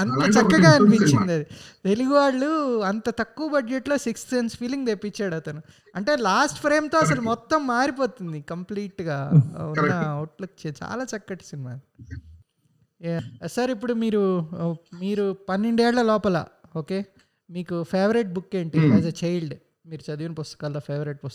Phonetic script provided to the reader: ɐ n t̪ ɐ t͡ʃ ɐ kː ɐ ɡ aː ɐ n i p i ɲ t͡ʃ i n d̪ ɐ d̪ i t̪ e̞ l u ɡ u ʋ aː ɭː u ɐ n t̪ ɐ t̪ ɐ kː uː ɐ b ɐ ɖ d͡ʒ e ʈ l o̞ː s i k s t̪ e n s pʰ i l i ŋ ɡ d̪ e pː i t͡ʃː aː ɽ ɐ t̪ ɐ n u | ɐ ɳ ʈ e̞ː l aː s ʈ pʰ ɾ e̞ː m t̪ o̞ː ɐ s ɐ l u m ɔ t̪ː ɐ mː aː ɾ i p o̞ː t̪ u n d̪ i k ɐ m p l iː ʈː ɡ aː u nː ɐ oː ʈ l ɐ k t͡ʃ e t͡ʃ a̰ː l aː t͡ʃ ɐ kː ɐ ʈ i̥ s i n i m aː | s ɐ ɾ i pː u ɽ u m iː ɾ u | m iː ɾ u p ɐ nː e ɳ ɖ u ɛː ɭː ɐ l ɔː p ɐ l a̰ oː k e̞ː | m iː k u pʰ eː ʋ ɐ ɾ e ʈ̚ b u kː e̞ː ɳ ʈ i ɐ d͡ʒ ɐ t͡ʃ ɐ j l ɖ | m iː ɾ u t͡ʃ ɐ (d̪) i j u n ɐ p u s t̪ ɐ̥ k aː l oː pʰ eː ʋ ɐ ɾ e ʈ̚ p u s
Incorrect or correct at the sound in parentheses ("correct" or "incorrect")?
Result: correct